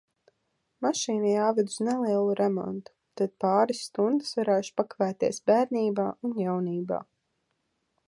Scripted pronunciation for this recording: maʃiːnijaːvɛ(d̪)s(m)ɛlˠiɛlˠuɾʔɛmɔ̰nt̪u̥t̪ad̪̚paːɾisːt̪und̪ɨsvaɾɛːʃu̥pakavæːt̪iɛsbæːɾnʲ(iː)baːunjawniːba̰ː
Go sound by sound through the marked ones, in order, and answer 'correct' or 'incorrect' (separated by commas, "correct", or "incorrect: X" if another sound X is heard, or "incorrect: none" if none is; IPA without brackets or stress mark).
correct, incorrect: n, correct